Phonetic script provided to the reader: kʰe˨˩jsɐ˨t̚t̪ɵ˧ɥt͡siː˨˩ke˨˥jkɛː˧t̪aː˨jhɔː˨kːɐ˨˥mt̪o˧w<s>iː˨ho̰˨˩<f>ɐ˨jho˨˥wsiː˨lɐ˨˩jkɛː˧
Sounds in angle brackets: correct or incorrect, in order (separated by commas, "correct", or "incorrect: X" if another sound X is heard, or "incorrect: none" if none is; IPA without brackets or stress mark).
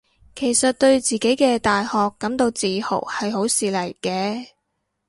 incorrect: t͡s, incorrect: h